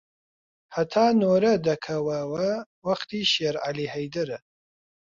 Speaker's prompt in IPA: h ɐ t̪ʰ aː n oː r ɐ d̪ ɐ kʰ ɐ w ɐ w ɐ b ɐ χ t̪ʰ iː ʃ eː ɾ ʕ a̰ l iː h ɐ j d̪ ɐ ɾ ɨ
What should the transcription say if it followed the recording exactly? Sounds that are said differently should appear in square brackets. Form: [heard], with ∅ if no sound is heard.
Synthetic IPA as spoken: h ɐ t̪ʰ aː n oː [ɾ] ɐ d̪ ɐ kʰ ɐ w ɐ w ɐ [w] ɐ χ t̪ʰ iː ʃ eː ɾ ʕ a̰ l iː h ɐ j d̪ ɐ ɾ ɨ